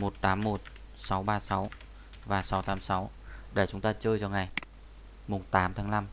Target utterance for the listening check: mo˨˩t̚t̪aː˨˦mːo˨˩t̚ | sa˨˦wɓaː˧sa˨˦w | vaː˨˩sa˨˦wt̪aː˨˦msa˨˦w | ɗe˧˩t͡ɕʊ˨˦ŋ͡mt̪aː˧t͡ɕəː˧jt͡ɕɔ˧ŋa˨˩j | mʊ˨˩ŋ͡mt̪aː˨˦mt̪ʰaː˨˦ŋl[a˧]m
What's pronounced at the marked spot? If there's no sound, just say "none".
a˧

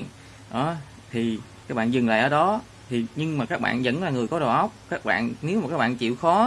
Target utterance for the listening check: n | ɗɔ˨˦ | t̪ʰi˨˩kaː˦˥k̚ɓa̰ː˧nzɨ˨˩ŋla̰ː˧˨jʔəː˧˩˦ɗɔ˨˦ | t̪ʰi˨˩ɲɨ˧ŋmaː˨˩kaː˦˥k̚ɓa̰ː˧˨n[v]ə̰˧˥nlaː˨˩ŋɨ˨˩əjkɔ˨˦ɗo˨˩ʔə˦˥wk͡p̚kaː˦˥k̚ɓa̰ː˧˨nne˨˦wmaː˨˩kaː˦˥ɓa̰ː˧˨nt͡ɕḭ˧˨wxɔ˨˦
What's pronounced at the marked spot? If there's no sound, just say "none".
z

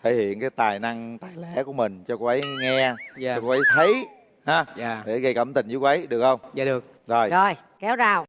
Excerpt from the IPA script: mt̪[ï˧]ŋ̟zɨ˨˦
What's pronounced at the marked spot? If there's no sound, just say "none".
ï˨˩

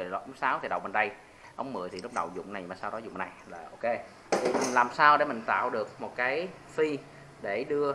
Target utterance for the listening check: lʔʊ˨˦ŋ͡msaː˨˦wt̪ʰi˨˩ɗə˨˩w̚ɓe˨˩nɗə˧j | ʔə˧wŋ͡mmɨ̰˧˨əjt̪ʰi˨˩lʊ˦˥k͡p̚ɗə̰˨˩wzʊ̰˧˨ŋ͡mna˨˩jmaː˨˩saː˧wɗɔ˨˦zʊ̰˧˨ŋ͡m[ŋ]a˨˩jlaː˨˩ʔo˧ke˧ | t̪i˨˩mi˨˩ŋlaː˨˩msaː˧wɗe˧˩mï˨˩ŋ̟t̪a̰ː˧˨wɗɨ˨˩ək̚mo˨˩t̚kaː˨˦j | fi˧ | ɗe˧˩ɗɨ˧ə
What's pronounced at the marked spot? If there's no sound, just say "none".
n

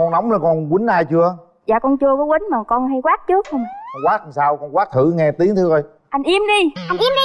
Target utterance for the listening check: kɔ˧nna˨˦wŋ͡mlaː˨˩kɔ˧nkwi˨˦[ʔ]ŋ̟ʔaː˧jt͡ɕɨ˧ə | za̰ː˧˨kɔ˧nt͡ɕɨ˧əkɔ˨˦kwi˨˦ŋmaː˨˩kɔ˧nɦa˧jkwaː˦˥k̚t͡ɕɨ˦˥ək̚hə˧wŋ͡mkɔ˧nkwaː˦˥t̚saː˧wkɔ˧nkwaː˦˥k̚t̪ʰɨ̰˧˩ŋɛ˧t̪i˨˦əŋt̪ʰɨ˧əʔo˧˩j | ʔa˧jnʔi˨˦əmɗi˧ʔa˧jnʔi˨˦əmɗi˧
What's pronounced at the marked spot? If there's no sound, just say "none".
none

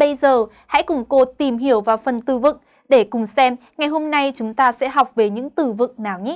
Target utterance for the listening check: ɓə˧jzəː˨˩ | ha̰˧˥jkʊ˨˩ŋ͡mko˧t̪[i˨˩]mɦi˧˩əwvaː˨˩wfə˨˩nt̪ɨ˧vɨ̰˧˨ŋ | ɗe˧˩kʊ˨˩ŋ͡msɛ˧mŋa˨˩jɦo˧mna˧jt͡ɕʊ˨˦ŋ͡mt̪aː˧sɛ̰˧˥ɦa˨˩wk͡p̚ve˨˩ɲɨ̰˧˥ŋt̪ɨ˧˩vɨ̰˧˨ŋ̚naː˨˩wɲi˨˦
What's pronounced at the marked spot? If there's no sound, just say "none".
i˨˩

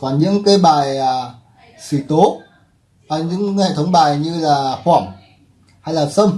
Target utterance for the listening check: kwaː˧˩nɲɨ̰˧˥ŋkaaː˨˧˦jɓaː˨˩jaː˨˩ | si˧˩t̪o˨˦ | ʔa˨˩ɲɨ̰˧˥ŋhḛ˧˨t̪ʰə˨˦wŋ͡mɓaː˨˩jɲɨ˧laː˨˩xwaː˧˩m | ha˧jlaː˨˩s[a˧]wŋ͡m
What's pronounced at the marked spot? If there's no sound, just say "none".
ə˧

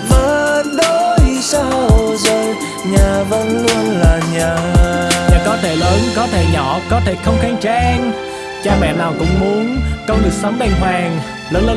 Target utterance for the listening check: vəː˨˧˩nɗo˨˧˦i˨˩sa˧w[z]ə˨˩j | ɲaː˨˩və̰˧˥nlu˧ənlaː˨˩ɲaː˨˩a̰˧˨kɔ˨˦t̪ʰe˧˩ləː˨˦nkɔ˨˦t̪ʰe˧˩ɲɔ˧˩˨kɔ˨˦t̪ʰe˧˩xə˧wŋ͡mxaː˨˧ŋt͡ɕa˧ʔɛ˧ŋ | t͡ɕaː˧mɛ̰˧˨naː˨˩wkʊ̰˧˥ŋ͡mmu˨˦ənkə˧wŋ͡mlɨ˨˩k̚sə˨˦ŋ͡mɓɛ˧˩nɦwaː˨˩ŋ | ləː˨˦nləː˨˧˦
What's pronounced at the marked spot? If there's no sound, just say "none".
z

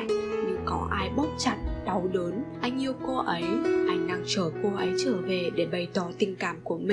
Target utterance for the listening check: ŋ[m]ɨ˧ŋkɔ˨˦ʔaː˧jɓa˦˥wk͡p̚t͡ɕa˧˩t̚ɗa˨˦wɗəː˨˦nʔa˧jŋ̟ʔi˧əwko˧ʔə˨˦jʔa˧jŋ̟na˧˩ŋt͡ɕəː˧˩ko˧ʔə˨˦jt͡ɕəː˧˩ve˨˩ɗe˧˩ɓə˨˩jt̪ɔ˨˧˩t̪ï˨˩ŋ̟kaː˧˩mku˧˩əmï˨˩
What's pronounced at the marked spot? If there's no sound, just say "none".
ɲ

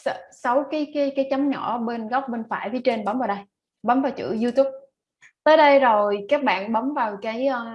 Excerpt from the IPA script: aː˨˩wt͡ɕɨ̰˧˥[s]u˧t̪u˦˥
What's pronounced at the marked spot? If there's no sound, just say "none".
z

